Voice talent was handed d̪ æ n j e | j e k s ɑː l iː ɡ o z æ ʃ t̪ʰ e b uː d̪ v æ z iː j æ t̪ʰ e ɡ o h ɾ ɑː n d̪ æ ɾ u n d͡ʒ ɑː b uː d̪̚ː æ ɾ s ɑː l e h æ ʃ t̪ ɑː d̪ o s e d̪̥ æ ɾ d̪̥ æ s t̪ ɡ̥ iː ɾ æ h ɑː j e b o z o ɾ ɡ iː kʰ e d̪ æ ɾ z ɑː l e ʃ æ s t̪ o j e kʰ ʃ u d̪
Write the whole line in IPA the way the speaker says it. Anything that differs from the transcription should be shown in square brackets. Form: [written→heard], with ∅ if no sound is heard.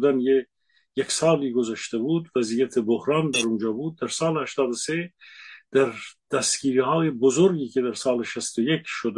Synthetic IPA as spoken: d̪ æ n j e | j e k s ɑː l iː ɡ o z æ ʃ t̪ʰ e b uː d̪ v æ z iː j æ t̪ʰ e [ɡ→b] o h ɾ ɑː n d̪ æ ɾ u n d͡ʒ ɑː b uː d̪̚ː æ ɾ s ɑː l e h æ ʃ t̪ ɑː d̪ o s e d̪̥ æ ɾ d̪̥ æ s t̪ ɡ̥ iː ɾ [æ→i] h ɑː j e b o z o ɾ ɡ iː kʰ e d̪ æ ɾ [z→s] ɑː l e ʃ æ s t̪ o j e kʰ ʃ [u→o] d̪